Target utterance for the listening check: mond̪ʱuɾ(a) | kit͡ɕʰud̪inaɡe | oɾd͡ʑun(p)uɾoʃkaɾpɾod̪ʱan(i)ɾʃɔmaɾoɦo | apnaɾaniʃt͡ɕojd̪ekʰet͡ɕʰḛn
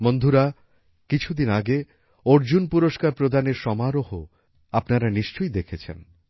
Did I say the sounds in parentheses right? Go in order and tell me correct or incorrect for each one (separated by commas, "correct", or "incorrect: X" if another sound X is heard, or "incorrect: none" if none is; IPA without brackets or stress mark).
correct, correct, incorrect: e